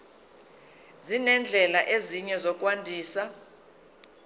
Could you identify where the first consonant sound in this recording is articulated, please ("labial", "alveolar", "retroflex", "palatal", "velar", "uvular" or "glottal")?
alveolar